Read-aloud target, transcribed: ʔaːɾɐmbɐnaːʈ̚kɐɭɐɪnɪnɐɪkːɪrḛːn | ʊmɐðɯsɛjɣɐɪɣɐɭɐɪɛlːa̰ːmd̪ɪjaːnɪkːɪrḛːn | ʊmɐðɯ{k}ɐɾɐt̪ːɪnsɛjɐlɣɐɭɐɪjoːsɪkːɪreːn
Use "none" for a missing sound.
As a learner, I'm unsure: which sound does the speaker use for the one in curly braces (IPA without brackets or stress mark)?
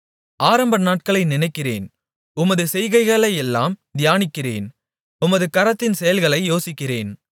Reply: k